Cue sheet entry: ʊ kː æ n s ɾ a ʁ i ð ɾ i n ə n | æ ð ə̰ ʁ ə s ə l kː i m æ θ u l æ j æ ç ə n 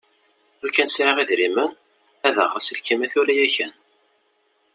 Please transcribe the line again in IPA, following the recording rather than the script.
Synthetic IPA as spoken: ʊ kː æ n s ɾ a ʁ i ð ɾ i m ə n | æ ð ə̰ ʁ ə s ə l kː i m æ θ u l æ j æ ç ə n